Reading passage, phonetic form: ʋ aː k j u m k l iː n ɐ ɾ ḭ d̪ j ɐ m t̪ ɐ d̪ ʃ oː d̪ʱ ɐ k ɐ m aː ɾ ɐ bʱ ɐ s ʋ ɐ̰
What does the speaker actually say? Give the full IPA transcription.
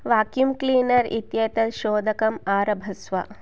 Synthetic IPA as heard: ʋ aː k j u m k l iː n ɐ ɾ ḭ t̪ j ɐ t̪ ɐ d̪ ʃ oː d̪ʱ ɐ k ɐ m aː ɾ ɐ bʱ ɐ s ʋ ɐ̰